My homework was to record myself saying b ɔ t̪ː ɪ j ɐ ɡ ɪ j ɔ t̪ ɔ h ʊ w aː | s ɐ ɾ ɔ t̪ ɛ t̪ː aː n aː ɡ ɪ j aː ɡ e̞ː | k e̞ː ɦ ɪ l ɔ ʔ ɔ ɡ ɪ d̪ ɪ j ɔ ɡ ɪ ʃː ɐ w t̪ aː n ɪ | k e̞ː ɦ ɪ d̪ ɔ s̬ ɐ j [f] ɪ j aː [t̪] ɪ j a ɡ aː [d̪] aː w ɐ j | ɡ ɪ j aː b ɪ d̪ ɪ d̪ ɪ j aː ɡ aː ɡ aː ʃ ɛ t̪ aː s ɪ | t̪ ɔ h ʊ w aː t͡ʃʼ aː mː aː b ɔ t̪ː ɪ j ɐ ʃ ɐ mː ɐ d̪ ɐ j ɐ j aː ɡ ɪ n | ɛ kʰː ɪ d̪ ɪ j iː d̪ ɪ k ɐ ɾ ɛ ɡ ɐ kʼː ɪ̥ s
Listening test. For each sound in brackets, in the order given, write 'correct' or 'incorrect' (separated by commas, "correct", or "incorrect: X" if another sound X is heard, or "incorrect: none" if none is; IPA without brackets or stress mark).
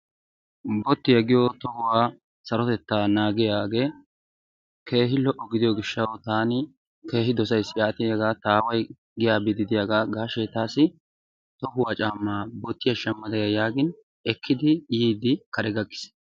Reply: incorrect: s, correct, incorrect: t̪